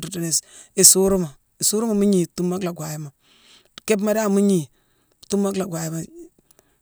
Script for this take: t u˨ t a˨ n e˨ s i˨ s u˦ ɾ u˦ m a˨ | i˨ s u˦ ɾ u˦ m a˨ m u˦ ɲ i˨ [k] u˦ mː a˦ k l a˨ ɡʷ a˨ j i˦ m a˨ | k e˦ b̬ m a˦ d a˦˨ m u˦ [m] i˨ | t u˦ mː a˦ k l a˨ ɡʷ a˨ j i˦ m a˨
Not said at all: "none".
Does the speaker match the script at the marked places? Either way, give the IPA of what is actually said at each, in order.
t, ɲ

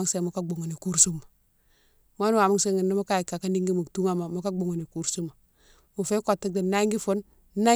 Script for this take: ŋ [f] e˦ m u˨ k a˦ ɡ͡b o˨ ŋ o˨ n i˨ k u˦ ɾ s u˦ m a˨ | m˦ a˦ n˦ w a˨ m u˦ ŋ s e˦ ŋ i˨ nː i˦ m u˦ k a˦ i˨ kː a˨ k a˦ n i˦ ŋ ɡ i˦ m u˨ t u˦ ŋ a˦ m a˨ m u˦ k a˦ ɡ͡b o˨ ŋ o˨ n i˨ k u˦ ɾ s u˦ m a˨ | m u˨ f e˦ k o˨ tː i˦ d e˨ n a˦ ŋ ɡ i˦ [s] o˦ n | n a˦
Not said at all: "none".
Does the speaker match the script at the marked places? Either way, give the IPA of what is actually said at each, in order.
s, f

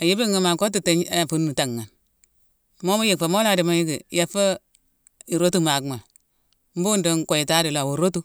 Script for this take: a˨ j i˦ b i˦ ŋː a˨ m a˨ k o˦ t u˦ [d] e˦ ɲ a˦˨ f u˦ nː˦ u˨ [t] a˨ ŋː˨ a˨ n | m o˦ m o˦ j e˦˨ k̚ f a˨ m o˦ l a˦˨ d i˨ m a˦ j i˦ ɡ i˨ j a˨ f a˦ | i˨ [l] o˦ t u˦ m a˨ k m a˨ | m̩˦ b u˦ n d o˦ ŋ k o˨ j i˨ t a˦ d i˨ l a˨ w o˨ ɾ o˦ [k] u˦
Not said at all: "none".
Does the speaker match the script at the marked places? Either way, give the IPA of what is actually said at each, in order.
t, t, ɾ, t

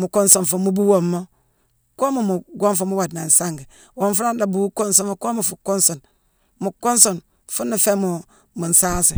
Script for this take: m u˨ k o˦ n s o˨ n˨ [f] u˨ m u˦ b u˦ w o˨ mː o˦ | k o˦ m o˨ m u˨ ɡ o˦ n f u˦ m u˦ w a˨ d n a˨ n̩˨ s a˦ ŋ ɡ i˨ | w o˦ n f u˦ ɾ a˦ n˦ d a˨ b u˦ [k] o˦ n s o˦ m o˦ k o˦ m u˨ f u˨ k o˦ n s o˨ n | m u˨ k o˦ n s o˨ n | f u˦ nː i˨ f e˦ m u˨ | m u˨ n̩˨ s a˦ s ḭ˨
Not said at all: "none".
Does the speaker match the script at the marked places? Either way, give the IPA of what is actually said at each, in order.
f, k

